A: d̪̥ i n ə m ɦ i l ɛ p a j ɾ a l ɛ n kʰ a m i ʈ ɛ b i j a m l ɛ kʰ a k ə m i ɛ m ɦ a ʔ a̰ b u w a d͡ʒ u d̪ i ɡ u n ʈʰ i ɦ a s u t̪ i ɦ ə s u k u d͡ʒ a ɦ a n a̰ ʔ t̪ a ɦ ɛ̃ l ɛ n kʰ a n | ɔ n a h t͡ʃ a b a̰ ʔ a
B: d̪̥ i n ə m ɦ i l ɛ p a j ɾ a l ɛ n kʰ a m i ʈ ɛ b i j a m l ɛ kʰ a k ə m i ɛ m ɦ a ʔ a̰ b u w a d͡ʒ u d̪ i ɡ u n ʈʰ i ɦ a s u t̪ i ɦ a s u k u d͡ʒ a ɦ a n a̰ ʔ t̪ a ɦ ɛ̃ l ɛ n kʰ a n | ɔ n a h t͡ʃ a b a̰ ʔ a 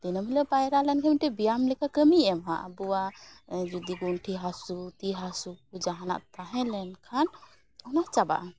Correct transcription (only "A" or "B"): B